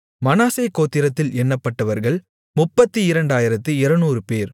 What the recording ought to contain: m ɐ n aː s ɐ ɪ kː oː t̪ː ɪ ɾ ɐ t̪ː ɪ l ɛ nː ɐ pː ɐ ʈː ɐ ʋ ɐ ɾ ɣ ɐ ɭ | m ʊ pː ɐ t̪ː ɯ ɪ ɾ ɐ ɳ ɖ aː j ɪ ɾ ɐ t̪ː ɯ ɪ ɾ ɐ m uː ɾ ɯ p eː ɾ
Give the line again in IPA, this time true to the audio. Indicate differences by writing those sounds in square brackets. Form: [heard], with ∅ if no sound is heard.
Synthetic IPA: m ɐ n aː s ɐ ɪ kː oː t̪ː ɪ ɾ ɐ t̪ː ɪ l ɛ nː ɐ pː ɐ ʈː ɐ ʋ ɐ ɾ ɣ ɐ ɭ | m ʊ pː ɐ t̪ː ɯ ɪ ɾ ɐ ɳ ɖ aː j ɪ ɾ ɐ t̪ː ɯ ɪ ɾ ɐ [n] uː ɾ ɯ p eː ɾ